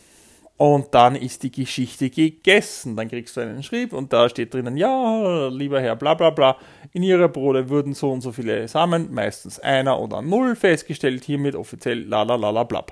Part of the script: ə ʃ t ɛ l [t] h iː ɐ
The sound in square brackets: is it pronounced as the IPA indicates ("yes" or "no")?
yes